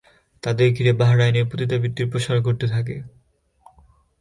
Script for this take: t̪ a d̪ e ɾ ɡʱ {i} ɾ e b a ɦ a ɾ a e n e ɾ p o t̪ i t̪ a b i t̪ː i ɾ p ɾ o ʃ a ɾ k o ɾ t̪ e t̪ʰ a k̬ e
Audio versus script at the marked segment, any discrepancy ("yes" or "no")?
no